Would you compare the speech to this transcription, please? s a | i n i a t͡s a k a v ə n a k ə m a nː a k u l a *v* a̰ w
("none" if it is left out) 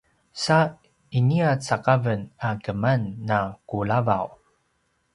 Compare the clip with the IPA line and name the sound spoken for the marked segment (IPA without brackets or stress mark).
v